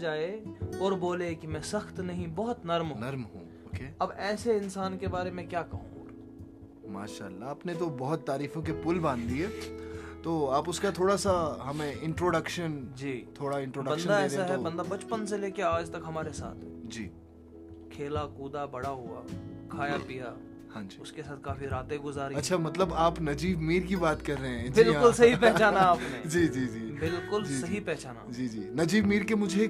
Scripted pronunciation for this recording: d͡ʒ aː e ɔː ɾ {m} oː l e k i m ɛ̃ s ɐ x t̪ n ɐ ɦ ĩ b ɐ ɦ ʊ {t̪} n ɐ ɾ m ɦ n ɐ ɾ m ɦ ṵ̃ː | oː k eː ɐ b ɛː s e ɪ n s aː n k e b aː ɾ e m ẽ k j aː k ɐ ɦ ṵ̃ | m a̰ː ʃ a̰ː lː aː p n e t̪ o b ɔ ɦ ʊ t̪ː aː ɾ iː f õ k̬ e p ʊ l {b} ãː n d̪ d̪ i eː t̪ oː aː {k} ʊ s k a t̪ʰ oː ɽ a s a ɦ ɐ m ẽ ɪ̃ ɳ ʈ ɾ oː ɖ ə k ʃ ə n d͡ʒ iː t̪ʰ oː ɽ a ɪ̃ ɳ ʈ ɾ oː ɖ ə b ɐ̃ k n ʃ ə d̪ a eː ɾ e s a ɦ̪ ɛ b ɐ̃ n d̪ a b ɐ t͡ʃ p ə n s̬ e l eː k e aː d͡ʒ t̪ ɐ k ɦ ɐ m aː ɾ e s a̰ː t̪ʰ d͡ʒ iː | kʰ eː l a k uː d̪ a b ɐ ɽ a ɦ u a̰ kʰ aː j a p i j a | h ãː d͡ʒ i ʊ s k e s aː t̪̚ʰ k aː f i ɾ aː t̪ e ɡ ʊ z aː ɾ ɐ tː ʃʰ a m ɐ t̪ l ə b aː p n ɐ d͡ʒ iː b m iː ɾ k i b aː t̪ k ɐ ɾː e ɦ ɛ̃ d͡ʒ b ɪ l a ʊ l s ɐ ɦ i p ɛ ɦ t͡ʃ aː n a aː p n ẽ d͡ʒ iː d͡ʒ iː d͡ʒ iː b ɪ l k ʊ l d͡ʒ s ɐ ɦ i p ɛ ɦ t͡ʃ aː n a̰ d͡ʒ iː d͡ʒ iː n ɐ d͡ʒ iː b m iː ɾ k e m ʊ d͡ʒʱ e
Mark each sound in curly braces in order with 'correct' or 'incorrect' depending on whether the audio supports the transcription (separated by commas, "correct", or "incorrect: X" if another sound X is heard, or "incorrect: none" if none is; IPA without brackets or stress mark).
incorrect: b, correct, correct, incorrect: p